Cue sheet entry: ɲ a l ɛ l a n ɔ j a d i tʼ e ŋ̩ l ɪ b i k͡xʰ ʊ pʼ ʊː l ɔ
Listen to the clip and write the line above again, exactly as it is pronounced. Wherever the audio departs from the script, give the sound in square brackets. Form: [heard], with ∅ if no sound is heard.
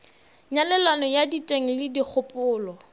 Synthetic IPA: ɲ a l ɛ l a n ɔ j a d i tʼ e ŋ̩ l ɪ [d] i k͡xʰ ʊ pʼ ʊː l ɔ